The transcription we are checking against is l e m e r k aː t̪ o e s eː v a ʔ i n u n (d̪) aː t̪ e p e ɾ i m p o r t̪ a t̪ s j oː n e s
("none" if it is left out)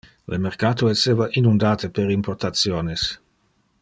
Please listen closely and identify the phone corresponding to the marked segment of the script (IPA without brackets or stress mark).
d̪